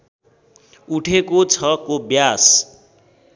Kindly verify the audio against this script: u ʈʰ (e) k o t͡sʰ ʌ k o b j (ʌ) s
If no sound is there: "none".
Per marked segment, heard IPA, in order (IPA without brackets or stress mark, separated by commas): e, a